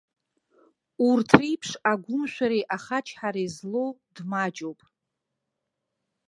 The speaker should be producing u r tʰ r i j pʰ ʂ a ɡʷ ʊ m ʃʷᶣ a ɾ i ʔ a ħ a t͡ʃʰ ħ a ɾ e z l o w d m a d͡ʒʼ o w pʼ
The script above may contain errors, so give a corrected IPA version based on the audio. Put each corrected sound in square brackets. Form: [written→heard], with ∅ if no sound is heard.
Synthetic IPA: u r tʰ r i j pʰ ʂ a ɡʷ ʊ m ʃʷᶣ a ɾ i ʔ a [ħ→χ] a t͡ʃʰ ħ a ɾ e z l o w d m a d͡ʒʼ o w pʼ